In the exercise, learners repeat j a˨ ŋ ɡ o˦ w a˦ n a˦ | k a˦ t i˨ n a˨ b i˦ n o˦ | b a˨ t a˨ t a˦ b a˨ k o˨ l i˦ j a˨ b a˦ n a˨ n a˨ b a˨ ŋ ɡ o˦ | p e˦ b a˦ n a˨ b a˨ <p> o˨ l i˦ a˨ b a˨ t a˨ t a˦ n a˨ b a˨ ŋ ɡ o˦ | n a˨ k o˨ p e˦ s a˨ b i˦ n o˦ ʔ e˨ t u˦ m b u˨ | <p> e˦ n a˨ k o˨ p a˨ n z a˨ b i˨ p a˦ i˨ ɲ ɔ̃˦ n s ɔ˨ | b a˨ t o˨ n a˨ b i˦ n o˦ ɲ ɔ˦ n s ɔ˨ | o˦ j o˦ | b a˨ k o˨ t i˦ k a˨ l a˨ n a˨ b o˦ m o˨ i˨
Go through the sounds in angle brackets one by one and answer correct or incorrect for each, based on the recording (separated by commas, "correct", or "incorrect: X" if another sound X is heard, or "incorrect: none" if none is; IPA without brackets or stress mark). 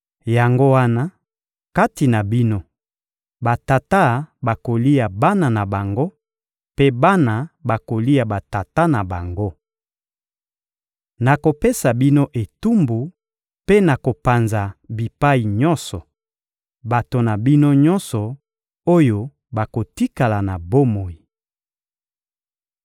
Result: incorrect: k, correct